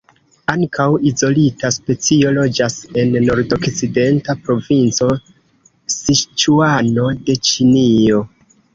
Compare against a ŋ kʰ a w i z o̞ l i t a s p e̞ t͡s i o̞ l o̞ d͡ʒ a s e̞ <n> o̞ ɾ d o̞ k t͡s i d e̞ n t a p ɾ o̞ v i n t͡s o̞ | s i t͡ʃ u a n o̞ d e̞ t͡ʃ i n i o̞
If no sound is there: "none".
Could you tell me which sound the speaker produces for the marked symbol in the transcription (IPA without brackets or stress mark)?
nː